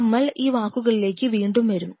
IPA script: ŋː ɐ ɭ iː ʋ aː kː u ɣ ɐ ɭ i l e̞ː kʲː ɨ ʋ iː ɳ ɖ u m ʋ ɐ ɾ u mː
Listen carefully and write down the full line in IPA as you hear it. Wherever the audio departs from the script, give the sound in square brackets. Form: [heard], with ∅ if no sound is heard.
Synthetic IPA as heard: [mː] ɐ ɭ iː ʋ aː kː u ɣ ɐ ɭ i l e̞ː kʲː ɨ ʋ iː ɳ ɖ u m ʋ ɐ ɾ u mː